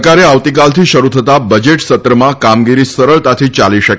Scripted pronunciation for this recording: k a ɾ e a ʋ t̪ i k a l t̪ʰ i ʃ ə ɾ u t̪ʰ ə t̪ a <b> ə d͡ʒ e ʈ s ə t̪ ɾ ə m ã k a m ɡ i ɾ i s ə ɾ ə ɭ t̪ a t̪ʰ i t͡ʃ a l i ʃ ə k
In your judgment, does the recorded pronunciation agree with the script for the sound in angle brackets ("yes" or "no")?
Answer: yes